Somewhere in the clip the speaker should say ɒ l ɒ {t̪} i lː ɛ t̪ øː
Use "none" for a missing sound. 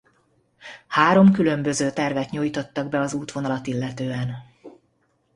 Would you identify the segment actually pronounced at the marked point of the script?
t̪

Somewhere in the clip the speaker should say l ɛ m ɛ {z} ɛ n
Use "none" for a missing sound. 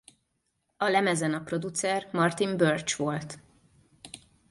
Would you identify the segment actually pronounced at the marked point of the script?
z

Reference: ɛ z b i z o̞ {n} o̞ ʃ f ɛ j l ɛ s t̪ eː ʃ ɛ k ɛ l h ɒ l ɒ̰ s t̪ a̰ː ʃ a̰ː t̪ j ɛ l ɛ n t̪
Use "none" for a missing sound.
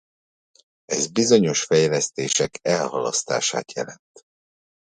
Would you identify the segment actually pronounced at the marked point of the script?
ɲ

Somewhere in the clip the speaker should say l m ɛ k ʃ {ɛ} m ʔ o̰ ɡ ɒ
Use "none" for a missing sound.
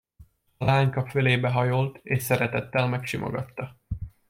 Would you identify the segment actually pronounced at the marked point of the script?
i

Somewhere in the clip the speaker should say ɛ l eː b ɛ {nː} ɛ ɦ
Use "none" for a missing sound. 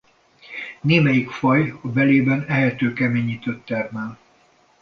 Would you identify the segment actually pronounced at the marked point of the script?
n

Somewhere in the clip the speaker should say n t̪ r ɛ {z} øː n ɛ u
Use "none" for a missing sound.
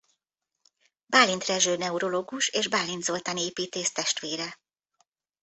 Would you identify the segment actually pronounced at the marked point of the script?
ʒ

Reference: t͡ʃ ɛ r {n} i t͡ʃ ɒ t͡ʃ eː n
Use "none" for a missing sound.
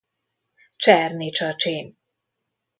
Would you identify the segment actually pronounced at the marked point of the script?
n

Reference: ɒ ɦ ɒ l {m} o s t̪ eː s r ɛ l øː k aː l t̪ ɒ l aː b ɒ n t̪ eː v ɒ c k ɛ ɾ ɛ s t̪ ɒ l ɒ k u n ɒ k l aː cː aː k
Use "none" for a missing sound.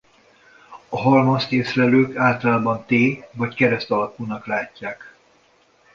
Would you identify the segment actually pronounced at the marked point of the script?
m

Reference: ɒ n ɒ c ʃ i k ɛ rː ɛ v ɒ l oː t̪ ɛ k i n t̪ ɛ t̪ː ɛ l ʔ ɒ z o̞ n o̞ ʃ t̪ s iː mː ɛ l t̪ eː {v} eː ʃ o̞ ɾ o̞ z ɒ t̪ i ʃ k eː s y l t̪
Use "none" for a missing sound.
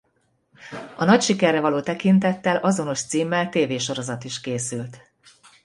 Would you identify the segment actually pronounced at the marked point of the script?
v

